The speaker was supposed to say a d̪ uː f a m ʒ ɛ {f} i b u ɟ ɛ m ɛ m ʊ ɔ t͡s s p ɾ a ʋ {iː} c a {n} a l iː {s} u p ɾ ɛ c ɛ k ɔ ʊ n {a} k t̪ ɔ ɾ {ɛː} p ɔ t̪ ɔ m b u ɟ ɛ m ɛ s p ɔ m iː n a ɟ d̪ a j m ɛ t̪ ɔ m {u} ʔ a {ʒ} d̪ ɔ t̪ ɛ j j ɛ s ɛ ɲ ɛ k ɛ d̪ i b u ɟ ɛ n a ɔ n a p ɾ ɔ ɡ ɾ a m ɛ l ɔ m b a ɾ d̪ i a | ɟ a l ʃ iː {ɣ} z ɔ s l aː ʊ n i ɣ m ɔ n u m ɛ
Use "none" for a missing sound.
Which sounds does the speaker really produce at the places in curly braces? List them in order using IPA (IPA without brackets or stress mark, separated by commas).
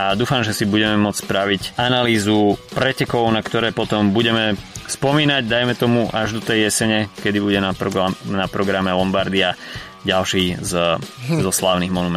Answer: s, i, n, z, a, ɛː, u, ʒ, z